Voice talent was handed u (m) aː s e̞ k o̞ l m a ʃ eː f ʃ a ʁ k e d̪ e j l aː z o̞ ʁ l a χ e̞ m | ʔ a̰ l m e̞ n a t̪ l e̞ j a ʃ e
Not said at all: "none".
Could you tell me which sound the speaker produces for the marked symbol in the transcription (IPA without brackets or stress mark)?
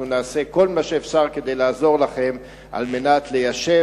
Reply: n